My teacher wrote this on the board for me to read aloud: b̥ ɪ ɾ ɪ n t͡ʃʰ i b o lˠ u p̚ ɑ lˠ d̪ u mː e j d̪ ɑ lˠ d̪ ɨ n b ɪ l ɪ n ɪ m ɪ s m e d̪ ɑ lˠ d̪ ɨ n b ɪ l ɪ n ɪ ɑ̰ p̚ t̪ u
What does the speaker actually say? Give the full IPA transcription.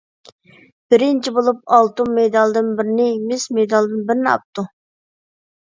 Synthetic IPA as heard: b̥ ɪ ɾ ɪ n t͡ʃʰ i b o lˠ u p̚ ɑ lˠ t̪ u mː e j d̪ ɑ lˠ d̪ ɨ n b ɪ ɾ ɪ n ɪ m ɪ s m e d̪ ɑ lˠ d̪ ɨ n b ɪ ɾ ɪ n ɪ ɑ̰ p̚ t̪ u